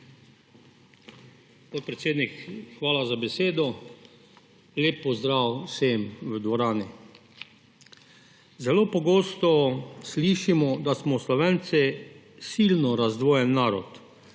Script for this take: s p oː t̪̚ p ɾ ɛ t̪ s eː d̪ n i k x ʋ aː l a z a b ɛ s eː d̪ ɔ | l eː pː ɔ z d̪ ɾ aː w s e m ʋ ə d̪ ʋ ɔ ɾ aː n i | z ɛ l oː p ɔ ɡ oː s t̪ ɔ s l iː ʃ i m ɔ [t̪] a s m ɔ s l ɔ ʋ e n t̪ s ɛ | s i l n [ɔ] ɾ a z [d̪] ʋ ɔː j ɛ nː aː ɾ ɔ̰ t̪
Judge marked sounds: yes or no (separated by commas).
no, yes, yes